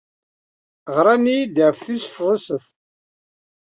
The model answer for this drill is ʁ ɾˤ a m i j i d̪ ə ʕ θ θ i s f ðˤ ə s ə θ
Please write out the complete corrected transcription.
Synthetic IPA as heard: ʁ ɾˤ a n i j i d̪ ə ʕ f θ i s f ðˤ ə s ə θ